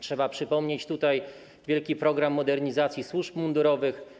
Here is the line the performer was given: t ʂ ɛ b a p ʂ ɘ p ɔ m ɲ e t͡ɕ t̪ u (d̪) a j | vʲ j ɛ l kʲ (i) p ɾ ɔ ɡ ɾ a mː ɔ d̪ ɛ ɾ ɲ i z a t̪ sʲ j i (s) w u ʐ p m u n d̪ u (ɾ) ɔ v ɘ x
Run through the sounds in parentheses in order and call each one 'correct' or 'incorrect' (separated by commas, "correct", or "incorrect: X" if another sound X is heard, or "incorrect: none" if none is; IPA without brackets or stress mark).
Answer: incorrect: t̪, correct, correct, correct